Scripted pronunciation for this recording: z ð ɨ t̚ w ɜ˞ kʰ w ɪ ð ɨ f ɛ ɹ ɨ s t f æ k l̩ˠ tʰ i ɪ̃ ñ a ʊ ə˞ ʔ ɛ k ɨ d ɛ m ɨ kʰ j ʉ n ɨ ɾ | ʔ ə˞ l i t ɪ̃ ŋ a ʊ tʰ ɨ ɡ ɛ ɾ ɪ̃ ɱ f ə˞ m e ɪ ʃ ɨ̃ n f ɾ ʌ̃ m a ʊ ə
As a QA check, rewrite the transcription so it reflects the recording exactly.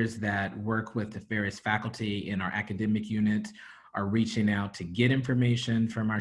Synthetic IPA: z ð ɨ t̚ w ɜ˞ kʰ w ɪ ð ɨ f ɛ ɹ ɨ s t f æ k l̩ˠ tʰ i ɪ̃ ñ a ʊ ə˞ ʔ æ k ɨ d ɛ m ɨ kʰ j ʉ n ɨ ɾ | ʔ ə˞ ɹ i t͡ʃ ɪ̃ ŋ a ʊ tʰ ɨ ɡ ɛ ɾ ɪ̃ ɱ f ə˞ m e ɪ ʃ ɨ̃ n f ɹ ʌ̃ m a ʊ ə